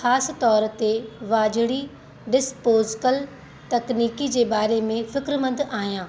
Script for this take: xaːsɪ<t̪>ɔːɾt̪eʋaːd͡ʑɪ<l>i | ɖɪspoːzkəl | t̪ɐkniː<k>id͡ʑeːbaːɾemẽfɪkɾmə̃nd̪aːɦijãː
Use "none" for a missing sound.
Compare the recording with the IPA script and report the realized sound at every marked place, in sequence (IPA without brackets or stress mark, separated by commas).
t̪, ɽ, k